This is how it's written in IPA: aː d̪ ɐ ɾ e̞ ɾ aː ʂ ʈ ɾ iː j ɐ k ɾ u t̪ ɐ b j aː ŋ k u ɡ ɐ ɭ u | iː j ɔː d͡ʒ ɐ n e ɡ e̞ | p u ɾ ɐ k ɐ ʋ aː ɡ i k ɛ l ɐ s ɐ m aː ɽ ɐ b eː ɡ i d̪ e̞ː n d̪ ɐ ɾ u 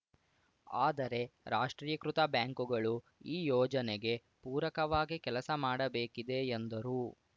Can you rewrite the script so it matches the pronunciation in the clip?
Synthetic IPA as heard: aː d̪ ɐ ɾ e̞ ɾ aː ʂ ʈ ɾ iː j ɐ k ɾ u t̪ ɐ b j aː ŋ k u ɡ ɐ ɭ u | iː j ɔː d͡ʒ ɐ n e ɡ e̞ | p uː ɾ ɐ k ɐ ʋ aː ɡ i k ɛ l ɐ s ɐ m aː ɽ ɐ b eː k i d̪ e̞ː n d̪ ɐ ɾ u